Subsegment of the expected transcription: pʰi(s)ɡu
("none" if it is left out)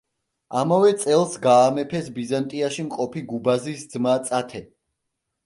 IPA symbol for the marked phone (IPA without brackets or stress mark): none